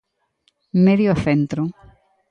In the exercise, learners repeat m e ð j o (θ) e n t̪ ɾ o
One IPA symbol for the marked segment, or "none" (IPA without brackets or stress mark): θ